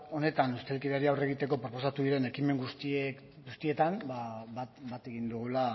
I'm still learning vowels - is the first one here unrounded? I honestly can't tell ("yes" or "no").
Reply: no